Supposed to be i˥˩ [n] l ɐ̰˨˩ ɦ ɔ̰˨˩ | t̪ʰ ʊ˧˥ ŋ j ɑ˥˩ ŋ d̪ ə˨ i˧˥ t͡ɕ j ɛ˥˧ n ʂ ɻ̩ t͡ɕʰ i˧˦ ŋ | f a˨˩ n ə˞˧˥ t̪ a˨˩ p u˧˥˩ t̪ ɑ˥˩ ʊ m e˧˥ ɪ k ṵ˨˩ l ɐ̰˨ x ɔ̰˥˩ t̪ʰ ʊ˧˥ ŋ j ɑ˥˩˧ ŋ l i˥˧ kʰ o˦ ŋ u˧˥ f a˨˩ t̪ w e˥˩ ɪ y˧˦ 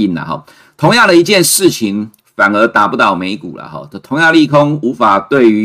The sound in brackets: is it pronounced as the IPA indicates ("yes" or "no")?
yes